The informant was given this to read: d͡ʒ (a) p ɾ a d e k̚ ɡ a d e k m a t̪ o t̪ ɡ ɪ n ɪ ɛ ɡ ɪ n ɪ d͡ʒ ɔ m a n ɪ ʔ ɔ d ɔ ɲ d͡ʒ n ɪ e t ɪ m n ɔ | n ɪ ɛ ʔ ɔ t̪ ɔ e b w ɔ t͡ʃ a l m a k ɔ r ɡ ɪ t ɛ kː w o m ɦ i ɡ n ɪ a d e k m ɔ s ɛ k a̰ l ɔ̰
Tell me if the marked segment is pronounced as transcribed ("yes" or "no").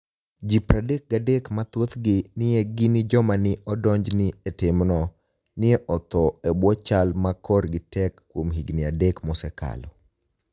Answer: no